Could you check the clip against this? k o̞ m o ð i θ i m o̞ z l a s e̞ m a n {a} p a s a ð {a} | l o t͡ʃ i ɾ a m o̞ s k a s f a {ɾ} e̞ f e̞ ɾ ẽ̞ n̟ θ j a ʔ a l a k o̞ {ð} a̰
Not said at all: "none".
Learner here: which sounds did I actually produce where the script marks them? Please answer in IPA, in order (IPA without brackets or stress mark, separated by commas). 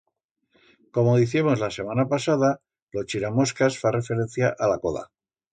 a, a, r, ð